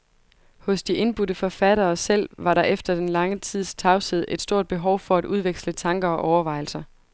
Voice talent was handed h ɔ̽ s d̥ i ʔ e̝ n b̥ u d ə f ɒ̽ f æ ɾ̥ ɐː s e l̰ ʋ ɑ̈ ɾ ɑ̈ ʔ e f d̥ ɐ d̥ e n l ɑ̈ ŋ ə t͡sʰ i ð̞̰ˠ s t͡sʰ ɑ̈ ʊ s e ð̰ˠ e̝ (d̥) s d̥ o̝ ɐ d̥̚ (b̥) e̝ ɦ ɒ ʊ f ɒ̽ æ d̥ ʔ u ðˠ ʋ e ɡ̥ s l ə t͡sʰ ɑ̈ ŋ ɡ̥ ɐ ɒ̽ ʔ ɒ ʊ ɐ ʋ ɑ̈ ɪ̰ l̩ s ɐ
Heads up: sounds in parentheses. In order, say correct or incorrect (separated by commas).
correct, correct